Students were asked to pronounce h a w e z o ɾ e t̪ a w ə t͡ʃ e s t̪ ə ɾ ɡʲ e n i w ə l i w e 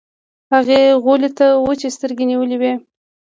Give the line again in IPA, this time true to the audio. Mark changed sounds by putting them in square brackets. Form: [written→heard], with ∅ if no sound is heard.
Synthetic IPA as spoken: h a [w→ɣ] e [z→ɣ] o [ɾ→l] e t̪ a w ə t͡ʃ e s t̪ ə ɾ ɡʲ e n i w ə l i w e